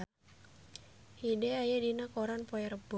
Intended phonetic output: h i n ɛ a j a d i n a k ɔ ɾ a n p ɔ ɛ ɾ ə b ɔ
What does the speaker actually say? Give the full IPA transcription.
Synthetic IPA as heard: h i d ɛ a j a d i n a k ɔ ɾ a n p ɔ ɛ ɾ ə b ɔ